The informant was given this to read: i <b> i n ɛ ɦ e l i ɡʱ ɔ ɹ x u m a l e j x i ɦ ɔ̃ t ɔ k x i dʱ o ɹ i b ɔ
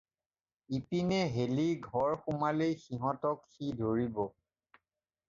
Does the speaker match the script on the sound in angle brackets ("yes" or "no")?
no